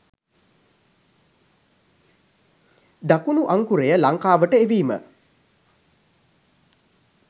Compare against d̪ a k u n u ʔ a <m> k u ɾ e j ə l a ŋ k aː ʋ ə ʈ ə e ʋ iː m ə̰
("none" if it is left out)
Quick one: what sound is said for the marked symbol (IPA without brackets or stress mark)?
ŋ